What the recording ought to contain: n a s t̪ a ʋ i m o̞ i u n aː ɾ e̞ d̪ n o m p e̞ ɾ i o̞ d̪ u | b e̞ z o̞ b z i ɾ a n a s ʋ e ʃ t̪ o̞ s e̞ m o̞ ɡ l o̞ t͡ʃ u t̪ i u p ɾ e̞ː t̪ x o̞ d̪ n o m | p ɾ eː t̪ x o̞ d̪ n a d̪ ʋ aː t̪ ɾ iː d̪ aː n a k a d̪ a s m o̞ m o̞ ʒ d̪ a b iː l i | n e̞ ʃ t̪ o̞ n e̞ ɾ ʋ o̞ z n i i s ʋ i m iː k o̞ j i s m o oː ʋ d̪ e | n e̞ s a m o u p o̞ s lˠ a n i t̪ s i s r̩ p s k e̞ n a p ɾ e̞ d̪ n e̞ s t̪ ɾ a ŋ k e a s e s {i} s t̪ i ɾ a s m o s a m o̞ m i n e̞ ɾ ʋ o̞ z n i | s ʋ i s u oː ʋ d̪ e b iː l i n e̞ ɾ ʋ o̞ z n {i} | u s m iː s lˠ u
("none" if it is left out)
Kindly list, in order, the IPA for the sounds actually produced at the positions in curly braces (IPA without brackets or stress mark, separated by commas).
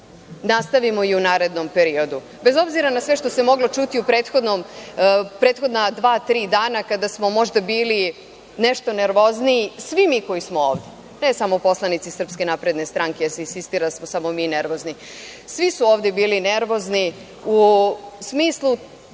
i, i